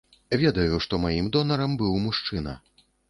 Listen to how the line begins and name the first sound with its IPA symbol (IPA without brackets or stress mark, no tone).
vʲ